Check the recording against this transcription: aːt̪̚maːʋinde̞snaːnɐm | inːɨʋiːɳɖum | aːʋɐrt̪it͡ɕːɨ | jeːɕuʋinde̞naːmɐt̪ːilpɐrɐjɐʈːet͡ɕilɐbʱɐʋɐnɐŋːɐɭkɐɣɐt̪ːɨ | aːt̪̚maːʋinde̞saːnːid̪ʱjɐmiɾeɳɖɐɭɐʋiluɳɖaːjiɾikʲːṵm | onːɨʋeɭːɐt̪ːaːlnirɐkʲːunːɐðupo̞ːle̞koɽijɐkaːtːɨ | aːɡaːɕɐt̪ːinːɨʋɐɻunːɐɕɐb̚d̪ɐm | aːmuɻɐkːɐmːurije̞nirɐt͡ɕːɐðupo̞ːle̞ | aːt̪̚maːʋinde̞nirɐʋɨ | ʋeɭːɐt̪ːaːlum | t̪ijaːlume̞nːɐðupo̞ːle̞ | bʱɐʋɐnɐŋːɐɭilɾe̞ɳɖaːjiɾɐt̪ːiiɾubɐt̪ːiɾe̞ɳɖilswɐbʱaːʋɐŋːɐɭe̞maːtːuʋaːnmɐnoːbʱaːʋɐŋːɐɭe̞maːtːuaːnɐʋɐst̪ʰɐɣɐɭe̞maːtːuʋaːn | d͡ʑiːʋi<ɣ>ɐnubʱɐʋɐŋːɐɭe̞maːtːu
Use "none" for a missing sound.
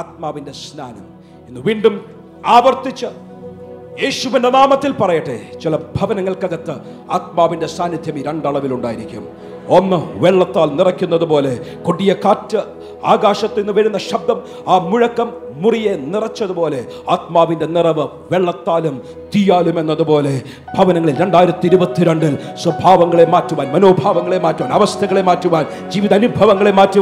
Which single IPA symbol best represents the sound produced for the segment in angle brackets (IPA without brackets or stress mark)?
ð